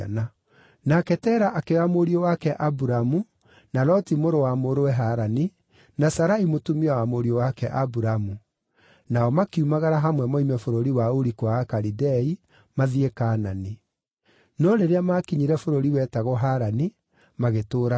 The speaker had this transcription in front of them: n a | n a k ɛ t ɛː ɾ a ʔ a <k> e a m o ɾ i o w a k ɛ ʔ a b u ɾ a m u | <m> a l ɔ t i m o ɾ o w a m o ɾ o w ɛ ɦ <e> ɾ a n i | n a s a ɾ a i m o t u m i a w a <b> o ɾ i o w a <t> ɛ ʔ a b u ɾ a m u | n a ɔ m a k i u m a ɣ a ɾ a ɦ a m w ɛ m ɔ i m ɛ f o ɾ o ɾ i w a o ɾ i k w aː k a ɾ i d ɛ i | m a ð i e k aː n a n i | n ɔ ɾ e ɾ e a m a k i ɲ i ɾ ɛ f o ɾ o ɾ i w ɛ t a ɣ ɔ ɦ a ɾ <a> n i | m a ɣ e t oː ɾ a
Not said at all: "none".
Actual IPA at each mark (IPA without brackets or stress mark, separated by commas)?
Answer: k, n, a, m, k, a